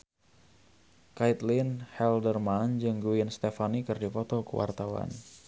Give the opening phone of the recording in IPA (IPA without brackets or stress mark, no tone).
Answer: k